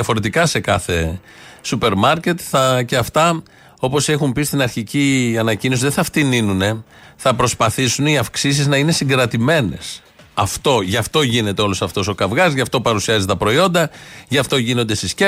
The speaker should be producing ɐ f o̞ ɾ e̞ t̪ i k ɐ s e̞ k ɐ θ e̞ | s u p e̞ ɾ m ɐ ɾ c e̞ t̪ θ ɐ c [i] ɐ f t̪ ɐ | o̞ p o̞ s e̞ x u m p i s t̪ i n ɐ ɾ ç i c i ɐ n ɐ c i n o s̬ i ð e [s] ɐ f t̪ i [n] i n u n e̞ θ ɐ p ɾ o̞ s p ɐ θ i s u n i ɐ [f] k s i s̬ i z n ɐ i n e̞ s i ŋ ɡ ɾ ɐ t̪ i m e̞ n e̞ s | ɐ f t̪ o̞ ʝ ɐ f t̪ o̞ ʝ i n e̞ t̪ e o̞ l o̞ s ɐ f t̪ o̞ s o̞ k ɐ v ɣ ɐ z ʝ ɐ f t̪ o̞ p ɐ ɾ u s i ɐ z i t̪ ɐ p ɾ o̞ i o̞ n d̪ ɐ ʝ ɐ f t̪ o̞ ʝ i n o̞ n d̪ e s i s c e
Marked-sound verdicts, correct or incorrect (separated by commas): incorrect, incorrect, correct, correct